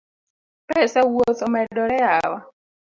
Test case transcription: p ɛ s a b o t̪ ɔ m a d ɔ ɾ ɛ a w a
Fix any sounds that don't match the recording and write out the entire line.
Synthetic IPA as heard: p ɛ s a w o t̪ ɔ m ɛ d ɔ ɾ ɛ a w a